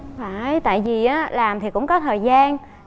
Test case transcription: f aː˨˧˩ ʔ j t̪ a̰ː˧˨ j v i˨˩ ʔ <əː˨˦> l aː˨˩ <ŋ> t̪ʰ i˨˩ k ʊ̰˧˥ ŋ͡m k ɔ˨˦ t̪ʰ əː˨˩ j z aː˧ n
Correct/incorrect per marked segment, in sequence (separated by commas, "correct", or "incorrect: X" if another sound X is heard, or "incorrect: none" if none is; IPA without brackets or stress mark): incorrect: aː˨˦, incorrect: m